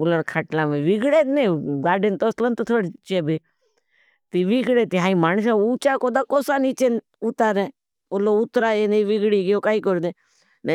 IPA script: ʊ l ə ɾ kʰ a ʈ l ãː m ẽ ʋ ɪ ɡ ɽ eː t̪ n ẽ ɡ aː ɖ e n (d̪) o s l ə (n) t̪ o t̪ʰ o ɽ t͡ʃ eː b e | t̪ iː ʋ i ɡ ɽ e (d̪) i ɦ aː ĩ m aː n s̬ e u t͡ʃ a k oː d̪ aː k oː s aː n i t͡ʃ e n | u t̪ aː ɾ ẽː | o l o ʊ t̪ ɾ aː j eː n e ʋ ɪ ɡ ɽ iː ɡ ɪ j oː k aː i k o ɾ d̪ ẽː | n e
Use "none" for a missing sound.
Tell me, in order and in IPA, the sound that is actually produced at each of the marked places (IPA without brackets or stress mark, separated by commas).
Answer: t̪, n, t̪